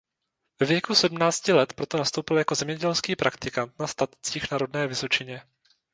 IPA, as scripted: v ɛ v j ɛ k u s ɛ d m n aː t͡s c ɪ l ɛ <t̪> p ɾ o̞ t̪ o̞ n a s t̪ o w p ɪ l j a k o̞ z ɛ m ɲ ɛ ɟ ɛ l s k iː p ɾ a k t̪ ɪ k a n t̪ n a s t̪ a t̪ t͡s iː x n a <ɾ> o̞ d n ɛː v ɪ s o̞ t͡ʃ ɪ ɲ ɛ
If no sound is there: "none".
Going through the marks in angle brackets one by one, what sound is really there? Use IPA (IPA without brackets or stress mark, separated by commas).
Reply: t̪, ɾ